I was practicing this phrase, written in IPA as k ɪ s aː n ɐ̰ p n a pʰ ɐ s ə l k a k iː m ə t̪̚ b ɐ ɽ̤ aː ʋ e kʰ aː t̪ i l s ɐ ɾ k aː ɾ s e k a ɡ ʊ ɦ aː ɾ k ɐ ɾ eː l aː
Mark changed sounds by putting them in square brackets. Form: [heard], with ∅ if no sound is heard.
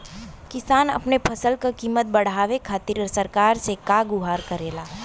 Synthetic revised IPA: k ɪ s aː n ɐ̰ p n [e] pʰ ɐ s ə l k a k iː m ə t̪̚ b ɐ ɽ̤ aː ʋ e kʰ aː t̪ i [ɾ] s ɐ ɾ k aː ɾ s e k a ɡ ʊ ɦ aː ɾ k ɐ ɾ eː l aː